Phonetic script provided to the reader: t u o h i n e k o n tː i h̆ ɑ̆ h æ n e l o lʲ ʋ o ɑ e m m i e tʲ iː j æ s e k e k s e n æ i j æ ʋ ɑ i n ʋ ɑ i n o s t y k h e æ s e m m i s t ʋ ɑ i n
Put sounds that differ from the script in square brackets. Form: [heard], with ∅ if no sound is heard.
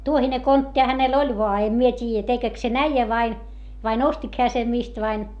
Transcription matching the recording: t u o h i n e k o n tː i h̆ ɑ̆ h æ n e l o lʲ ʋ o ɑ e m m i e tʲ iː j æ [t] e k e k s e n æ i j æ ʋ ɑ i n ʋ ɑ i n o s t [i] k h e æ s e m m i s t ʋ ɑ i n